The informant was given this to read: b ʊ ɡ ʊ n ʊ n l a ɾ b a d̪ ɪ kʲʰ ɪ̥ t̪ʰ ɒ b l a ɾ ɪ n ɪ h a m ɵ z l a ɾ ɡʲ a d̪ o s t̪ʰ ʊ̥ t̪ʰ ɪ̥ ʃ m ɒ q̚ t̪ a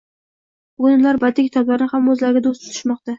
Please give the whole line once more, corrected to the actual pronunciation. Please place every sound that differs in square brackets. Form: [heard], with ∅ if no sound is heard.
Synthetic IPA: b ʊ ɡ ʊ n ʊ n l a ɾ b a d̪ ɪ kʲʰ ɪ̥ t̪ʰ ɒ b l a ɾ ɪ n ɪ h a m ɵ z l a ɾ ɡʲ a d̪ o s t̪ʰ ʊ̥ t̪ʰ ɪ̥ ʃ m ɒ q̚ t̪ a